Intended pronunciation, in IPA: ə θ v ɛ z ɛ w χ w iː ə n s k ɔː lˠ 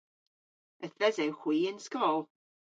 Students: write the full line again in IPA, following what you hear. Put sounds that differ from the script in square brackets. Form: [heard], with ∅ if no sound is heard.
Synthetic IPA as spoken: ə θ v ɛ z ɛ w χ w iː ə n s k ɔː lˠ